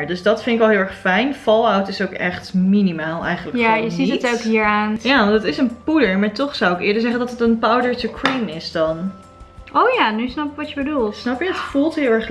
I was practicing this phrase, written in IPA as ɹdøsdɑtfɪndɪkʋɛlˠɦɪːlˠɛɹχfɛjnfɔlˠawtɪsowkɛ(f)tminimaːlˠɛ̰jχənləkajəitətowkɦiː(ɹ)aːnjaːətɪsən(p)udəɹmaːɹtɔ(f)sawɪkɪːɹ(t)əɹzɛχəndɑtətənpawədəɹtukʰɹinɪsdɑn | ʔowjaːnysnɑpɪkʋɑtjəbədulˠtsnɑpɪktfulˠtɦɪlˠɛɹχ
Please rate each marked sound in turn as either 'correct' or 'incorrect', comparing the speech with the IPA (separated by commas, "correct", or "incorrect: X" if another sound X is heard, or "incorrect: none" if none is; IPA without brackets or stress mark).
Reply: incorrect: χ, correct, correct, incorrect: χ, incorrect: d